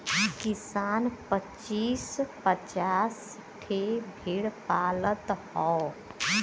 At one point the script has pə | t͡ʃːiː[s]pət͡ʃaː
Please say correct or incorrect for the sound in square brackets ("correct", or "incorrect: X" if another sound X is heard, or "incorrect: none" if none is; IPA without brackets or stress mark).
correct